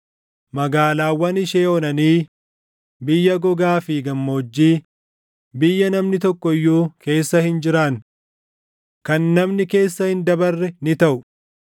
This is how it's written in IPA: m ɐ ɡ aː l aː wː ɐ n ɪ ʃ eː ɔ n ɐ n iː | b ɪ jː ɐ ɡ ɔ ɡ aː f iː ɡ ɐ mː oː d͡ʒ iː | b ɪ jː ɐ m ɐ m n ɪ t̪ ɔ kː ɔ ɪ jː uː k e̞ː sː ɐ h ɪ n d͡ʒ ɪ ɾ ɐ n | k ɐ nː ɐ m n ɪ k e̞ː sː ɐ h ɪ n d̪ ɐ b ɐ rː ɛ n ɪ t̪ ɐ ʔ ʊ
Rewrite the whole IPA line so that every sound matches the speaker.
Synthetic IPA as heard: m ɐ ɡ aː l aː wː ɐ n ɪ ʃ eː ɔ n ɐ n iː | b ɪ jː ɐ ɡ ɔ ɡ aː f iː ɡ ɐ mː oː d͡ʒː iː | b ɪ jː ɐ n ɐ m n ɪ t̪ ɔ kː ɔ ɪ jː uː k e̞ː sː ɐ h ɪ n d͡ʒ ɪ ɾ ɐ n | k ɐ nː ɐ m n ɪ k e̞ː sː ɐ h ɪ n d̪ ɐ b ɐ rː ɛ n ɪ t̪ ɐ ʔ ʊ